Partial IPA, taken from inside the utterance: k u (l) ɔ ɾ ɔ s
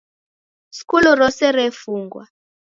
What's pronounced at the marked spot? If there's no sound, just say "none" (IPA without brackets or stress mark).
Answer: l